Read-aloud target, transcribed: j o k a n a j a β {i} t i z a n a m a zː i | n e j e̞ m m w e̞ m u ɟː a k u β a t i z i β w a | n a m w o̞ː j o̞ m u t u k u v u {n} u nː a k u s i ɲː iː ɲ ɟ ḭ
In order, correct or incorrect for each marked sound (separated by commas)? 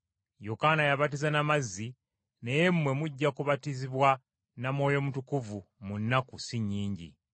incorrect, incorrect